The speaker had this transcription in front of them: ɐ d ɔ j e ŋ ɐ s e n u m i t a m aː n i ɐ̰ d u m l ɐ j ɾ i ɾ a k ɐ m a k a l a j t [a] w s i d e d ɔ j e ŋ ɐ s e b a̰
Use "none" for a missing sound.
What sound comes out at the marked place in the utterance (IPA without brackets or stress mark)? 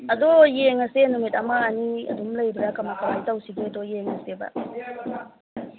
a